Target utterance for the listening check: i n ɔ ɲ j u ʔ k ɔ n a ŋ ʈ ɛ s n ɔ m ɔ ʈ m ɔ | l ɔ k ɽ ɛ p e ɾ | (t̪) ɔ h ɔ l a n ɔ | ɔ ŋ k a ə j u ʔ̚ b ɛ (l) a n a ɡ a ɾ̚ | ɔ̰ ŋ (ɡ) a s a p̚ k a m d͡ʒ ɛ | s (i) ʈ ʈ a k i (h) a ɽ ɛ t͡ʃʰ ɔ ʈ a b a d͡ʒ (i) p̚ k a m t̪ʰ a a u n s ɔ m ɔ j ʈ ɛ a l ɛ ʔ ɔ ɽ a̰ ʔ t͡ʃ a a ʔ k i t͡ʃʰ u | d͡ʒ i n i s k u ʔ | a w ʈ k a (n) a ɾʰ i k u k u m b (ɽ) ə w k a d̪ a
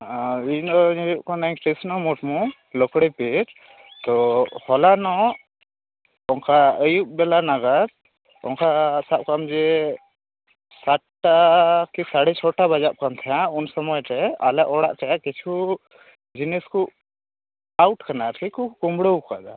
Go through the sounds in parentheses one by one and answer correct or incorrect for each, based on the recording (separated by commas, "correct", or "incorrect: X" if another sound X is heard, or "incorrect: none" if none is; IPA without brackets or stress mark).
correct, correct, incorrect: k, incorrect: a, incorrect: s, incorrect: a, correct, correct